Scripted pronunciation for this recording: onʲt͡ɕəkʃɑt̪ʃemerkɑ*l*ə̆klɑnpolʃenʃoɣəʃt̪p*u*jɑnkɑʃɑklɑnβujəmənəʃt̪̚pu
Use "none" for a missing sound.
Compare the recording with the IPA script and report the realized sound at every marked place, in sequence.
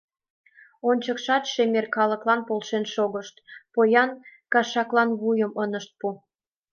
l, o

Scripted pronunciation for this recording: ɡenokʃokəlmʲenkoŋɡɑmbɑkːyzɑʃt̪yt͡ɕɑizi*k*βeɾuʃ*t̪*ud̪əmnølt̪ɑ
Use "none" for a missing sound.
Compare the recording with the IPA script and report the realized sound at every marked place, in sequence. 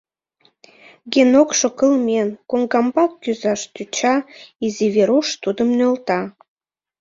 none, t̪

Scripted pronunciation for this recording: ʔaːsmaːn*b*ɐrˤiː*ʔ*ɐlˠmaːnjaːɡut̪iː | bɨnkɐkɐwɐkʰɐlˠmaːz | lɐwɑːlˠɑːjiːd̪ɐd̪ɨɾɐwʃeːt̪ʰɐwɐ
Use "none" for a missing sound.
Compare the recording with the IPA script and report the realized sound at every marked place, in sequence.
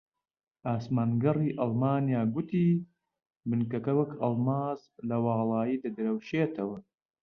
ɡ, ʔ

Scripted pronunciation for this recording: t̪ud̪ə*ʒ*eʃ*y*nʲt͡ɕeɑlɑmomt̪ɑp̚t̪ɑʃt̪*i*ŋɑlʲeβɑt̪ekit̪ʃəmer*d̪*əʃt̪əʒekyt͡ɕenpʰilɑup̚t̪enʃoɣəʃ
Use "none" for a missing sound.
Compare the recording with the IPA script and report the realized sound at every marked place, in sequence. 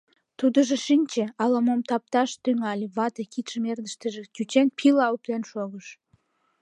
ʒ, i, y, d̪

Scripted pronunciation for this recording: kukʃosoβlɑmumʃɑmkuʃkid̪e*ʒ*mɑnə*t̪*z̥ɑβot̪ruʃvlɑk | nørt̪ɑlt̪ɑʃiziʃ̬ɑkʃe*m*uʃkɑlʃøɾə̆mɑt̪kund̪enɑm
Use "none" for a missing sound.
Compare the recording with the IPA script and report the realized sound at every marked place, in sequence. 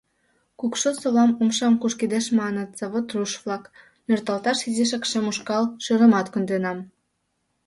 ʃ, t̪, m

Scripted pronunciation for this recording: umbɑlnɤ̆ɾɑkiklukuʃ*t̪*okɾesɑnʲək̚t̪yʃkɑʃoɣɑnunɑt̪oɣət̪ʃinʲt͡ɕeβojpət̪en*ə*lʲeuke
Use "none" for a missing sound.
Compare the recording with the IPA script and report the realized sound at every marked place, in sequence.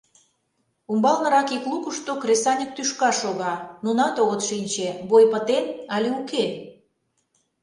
t̪, ɑ

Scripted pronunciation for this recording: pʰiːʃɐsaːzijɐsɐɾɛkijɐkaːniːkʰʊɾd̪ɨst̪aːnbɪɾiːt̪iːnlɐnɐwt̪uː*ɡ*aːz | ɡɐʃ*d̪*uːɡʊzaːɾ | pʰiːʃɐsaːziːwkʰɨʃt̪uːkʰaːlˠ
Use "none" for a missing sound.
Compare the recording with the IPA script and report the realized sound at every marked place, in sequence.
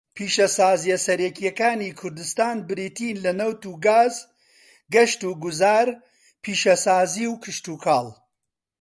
ɡ, t̪

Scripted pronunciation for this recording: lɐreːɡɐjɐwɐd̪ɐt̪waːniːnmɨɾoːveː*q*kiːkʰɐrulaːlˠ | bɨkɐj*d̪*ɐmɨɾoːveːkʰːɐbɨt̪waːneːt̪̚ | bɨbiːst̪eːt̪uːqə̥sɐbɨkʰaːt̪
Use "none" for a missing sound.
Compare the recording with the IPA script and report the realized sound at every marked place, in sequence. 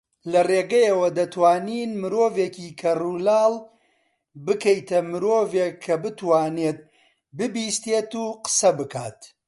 none, t̪

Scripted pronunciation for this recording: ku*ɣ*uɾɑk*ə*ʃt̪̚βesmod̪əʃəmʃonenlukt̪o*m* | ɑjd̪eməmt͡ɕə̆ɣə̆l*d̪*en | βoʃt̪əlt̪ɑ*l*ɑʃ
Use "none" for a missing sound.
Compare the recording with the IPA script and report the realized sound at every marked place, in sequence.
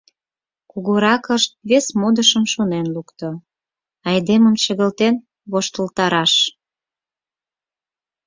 ɣ, ə, none, t̪, ɾ

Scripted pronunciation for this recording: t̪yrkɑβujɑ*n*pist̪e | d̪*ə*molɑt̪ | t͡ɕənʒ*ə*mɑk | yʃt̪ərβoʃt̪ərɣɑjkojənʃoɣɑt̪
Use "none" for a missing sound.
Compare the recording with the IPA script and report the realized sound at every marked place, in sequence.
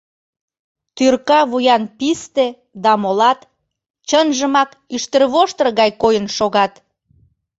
n, ɑ, ə

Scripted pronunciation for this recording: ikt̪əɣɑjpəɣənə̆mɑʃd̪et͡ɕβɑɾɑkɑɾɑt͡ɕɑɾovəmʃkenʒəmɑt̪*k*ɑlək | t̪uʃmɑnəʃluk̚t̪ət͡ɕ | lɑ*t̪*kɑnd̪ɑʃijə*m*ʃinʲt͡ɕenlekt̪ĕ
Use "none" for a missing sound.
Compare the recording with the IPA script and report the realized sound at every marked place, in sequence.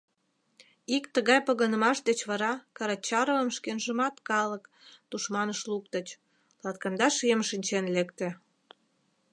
k, t̪, m

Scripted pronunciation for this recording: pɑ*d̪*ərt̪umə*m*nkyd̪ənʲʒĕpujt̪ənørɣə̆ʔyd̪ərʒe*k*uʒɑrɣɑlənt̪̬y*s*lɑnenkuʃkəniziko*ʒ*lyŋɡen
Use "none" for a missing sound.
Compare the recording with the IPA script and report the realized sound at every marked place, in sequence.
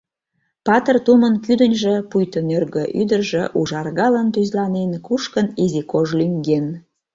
t̪, none, ʔ, z, ʒ

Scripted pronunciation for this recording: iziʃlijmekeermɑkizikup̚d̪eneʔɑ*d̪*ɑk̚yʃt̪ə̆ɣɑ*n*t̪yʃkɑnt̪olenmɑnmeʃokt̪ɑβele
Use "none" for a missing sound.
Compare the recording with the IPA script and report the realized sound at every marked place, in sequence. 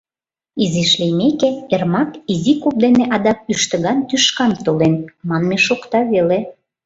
d̪, n

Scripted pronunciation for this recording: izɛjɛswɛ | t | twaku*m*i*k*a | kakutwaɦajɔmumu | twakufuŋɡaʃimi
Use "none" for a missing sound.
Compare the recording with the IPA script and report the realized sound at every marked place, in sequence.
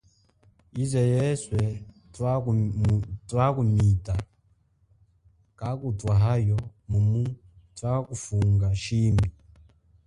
m, t

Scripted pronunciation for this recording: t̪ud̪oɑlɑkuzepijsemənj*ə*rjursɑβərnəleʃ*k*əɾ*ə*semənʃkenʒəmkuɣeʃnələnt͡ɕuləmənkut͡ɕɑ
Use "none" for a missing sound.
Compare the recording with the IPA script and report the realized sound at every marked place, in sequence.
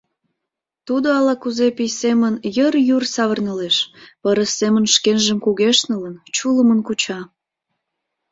ə, p, ə

